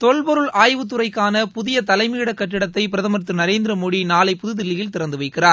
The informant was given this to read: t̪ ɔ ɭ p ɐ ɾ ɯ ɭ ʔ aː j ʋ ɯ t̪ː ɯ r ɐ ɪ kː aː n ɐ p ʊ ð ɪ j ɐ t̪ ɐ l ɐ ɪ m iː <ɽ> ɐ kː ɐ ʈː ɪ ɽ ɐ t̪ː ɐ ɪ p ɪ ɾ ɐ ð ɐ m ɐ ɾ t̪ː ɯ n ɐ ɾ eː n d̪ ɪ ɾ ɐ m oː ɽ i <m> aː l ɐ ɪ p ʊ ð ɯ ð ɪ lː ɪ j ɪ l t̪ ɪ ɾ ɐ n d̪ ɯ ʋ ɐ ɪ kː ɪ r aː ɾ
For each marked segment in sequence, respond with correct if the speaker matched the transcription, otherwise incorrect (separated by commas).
correct, incorrect